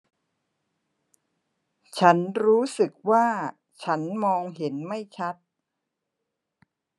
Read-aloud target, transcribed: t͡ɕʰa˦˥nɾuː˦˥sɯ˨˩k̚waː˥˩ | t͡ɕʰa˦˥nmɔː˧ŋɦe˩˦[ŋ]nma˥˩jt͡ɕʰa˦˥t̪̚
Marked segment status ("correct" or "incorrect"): incorrect